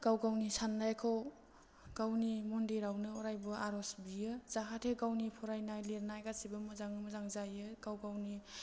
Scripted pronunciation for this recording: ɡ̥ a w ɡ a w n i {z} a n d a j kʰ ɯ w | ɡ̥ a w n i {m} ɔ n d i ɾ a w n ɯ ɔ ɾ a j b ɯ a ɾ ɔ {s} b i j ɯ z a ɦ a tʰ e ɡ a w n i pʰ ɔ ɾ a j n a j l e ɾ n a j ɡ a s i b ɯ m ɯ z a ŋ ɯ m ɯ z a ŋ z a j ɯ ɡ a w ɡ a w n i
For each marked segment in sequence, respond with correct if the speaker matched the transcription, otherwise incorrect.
incorrect: s, correct, correct

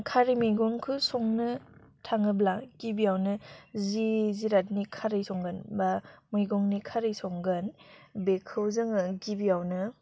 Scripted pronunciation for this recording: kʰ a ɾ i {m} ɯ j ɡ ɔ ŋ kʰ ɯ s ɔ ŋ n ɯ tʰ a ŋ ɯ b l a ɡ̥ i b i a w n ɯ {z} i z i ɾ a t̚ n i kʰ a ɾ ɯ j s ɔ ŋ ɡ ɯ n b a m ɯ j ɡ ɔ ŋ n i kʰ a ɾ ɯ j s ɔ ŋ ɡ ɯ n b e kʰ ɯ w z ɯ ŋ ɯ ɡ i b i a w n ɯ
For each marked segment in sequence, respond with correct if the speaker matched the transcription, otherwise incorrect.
correct, correct

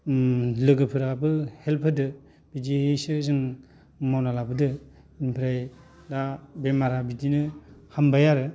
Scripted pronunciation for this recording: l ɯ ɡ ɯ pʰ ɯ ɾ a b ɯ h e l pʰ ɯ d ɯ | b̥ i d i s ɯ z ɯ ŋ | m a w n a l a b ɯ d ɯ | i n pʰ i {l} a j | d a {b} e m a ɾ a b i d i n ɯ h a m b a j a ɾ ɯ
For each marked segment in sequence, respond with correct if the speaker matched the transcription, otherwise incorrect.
incorrect: ɾ, correct

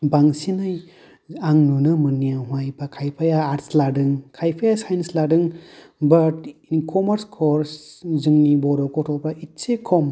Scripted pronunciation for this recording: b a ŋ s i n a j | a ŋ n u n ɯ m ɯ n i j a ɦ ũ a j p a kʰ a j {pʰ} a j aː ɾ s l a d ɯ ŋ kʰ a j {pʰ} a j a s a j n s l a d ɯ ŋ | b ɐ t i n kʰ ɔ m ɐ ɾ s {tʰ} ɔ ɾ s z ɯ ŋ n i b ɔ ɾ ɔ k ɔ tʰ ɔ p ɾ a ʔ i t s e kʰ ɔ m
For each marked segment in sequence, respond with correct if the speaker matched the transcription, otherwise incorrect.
correct, correct, incorrect: kʰ

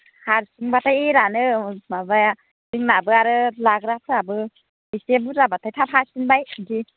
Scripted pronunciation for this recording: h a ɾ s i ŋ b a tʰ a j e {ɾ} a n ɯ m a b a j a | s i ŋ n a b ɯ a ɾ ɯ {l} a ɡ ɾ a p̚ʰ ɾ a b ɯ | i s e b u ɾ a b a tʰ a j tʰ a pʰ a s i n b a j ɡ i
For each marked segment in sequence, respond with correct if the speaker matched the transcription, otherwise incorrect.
correct, correct

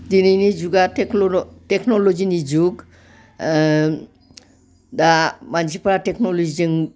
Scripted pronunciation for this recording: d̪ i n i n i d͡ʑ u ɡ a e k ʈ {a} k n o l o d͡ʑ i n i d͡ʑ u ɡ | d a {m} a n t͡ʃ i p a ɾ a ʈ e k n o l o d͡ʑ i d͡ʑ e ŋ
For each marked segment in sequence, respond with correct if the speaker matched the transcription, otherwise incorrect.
incorrect: e, correct

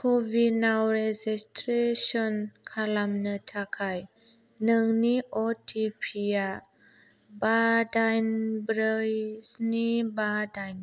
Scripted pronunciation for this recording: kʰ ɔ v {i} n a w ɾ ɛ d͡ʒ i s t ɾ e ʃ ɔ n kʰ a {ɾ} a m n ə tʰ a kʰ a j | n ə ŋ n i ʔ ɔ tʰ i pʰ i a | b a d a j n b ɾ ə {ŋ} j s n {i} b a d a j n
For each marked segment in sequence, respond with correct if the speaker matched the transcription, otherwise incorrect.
correct, incorrect: l, incorrect: none, correct

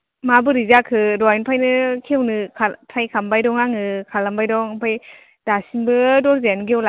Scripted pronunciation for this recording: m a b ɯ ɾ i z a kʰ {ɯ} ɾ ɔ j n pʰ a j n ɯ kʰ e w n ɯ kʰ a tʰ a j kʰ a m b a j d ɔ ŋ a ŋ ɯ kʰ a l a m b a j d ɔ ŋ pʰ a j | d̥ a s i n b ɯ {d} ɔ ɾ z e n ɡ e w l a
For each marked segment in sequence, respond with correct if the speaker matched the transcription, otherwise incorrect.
correct, correct

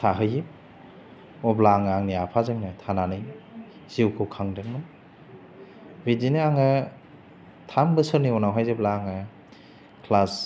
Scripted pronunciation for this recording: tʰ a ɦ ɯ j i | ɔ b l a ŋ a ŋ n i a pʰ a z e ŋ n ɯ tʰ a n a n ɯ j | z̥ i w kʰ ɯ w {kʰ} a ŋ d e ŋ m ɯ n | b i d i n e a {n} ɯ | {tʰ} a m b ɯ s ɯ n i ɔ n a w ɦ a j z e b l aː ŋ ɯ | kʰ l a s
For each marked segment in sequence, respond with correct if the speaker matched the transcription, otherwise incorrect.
correct, incorrect: ŋ, correct

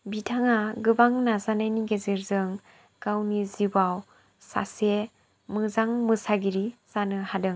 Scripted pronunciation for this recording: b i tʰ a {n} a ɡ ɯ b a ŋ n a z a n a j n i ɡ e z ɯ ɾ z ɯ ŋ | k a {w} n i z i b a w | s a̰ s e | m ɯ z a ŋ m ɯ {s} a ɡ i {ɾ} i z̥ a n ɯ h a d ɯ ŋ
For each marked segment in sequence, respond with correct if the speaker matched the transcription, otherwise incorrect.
incorrect: ŋ, correct, correct, correct

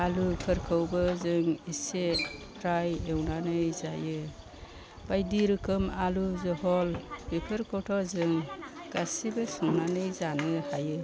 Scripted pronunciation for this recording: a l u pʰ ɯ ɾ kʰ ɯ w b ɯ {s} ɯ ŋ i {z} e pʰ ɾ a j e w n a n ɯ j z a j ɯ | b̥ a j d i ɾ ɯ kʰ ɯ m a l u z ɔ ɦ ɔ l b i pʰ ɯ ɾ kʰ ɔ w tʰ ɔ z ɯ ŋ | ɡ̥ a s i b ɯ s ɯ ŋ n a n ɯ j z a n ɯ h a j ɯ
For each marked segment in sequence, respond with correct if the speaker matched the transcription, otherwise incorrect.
incorrect: z, incorrect: s

